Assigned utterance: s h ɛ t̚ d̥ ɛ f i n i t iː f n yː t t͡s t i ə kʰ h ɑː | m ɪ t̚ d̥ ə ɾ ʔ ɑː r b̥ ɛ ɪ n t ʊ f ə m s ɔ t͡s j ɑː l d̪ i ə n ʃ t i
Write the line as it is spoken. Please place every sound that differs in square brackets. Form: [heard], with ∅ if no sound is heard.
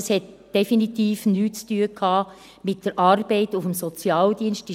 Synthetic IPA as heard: s h ɛ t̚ d̥ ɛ f i n i t iː f n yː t t͡s t [y] ə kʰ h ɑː | m ɪ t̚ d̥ ə ɾ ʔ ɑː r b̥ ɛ ɪ [∅] t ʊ f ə m s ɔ t͡s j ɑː l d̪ i ə n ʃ t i